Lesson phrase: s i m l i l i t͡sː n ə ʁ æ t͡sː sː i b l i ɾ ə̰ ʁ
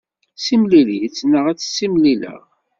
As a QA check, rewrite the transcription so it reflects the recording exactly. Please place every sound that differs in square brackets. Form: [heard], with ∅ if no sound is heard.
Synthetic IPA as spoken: s i m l i l i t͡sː n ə ʁ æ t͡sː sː i [m] l i [l] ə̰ ʁ